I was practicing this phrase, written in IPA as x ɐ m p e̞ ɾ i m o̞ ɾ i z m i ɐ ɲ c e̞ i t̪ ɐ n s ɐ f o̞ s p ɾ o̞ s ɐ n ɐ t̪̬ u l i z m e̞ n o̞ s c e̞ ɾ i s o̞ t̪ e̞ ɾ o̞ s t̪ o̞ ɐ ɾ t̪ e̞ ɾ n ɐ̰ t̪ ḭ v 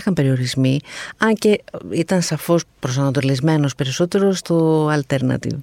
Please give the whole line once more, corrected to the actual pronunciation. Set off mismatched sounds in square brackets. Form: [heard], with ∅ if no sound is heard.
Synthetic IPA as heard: x ɐ m p e̞ ɾ i [∅] o̞ ɾ i z m i ɐ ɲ c e̞ i t̪ ɐ n s ɐ f o̞ s p ɾ o̞ s ɐ n ɐ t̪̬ [o] l i z m e̞ n o̞ s [p] e̞ ɾ i s o̞ t̪ e̞ ɾ o̞ s t̪ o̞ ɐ [l] t̪ e̞ ɾ n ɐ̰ t̪ ḭ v